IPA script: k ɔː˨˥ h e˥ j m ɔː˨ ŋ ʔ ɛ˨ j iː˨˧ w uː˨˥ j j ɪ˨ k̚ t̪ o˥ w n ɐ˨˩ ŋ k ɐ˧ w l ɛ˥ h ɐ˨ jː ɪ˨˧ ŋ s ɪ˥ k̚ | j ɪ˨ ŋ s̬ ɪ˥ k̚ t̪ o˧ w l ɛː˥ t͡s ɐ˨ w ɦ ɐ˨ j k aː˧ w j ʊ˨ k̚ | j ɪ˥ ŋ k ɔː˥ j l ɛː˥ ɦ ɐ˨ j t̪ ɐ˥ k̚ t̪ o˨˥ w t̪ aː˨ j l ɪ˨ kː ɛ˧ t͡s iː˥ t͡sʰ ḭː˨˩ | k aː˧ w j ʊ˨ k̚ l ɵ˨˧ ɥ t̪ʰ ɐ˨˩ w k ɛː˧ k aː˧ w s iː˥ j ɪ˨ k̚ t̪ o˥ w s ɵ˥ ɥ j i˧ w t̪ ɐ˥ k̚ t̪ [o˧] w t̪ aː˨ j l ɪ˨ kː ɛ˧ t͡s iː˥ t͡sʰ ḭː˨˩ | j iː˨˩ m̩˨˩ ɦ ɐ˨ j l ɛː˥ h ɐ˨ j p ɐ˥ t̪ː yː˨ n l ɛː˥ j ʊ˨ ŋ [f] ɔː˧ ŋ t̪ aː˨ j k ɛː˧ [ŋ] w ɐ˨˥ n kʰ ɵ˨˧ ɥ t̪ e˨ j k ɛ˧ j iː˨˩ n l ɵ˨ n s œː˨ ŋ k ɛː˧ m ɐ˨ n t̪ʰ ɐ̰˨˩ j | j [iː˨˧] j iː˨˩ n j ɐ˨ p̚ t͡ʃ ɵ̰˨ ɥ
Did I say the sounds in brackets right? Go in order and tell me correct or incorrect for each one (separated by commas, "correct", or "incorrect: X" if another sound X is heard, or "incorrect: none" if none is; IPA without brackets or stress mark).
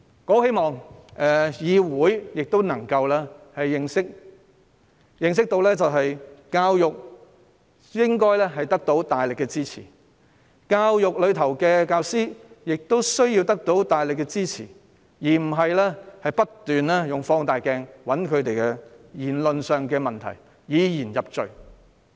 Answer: incorrect: o˨˥, correct, correct, correct